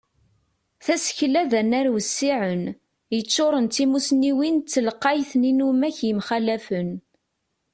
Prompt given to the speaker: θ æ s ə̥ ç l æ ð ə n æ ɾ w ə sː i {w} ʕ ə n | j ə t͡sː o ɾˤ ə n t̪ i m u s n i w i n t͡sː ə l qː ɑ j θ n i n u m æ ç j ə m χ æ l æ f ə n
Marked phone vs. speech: incorrect: none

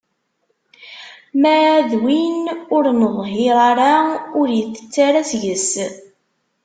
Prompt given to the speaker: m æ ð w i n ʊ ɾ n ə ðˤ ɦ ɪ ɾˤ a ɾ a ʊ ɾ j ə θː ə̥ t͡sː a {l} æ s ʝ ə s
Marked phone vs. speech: incorrect: ɾ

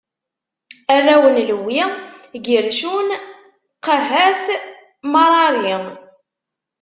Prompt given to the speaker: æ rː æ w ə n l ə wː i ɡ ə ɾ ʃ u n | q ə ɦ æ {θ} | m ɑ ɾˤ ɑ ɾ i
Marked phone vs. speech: correct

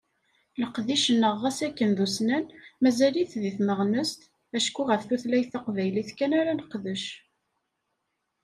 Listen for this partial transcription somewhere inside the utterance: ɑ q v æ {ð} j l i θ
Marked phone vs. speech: incorrect: none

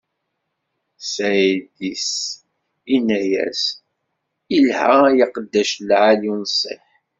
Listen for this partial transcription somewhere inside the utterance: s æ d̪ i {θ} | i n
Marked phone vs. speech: incorrect: s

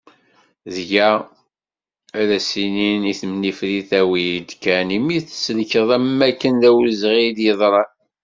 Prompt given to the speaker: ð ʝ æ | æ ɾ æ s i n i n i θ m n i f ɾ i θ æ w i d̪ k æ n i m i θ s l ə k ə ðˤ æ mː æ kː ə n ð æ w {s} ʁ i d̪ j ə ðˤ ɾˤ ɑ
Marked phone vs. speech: incorrect: z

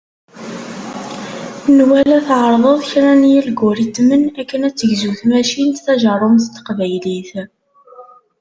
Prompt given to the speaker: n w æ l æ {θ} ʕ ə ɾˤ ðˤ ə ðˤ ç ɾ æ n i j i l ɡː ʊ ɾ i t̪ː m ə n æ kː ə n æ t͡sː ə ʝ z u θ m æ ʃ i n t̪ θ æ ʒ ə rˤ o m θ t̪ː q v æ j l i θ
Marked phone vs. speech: correct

